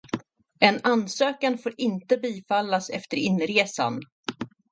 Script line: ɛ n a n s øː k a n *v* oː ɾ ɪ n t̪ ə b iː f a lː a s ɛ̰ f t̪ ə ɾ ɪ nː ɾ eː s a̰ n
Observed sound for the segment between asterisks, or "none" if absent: f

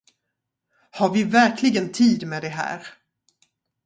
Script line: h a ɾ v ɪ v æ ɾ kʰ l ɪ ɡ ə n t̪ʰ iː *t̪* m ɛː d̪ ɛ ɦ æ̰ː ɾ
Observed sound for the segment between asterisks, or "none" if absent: d̪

